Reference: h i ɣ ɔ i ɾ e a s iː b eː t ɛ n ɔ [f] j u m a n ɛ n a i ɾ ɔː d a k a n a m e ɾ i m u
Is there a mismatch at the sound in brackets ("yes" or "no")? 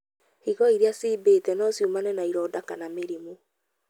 yes